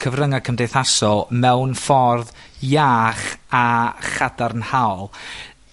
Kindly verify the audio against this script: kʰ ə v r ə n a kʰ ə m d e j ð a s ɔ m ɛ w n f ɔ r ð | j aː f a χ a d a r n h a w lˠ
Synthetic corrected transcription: kʰ ə v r ə ŋ a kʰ ə m d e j θ a s ɔ m ɛ w n f ɔ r ð | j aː χ a χ a d a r n h a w lˠ

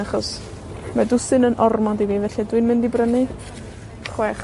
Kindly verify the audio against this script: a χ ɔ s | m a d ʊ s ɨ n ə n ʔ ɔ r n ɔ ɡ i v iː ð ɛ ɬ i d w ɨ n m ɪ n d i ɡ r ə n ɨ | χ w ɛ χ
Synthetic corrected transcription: a χ ɔ s | m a d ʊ s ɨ n ə n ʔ ɔ r m ɔ d i v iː v ɛ ɬ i d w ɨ n m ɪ n d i b r ə n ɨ | χ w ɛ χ

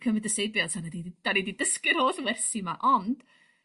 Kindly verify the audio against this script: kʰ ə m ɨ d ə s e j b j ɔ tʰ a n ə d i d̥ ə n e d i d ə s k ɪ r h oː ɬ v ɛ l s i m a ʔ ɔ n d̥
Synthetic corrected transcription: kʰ ə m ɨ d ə s e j b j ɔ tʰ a n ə d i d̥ a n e d i d ə s k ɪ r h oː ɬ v ɛ r s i m a ʔ ɔ n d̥

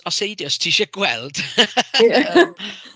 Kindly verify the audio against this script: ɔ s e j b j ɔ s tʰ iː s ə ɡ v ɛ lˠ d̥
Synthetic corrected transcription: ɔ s e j d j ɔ s tʰ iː ʃ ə ɡ w ɛ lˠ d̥

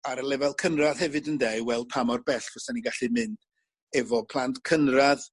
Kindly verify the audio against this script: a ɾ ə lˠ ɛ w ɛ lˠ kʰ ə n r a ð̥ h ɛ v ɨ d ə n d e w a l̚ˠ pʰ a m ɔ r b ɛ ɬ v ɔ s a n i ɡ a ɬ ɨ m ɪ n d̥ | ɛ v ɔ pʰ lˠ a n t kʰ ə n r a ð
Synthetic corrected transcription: a ɾ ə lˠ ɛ v ɛ lˠ kʰ ə n r a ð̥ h ɛ v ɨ d ə n d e w ɛ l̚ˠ pʰ a m ɔ r b ɛ ɬ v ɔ s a n i ɡ a ɬ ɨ m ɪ n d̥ | ɛ v ɔ pʰ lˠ a n t kʰ ə n r a ð

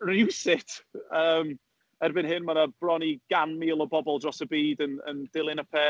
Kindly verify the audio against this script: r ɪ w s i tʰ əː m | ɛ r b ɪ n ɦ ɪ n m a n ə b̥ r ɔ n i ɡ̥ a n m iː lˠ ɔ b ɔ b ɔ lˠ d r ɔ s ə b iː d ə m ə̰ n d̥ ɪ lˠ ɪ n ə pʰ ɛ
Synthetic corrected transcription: r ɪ w s ɪ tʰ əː m | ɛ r b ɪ n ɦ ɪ n m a n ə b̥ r ɔ n i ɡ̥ a n m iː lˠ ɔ b ɔ b ɔ lˠ d r ɔ s ə b iː d ə n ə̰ n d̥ ɪ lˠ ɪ n ə pʰ ɛ

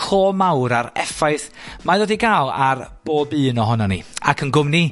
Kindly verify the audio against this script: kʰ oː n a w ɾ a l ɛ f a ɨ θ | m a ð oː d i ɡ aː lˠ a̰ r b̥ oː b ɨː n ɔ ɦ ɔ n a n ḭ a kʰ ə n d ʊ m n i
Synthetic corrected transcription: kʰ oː m a w ɾ a ɾ ɛ f a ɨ θ | m a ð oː d i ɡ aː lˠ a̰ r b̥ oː b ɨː n ɔ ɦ ɔ n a n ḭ a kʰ ə n ɡ ʊ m n i

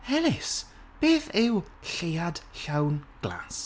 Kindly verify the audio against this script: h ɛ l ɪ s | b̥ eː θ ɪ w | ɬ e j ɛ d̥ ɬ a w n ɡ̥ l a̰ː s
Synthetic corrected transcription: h ɛ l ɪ s | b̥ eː θ ɪ w | ɬ e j a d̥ ɬ a w n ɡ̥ l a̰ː s

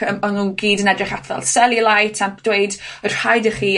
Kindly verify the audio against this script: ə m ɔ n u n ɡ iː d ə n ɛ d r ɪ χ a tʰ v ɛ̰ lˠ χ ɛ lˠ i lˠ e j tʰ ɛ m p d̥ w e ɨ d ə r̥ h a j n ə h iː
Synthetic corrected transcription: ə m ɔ n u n ɡ iː d ə n ɛ d r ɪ χ a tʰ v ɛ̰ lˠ s ɛ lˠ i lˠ a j tʰ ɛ m p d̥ w e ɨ d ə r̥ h a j d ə χ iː

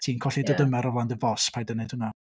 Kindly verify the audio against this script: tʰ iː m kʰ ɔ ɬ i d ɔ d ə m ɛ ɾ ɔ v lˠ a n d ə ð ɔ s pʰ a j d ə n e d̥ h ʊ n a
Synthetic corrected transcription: tʰ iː n kʰ ɔ ɬ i d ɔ d ə m ɛ ɾ ɔ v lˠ a n d ə v ɔ s pʰ a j d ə n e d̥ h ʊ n a

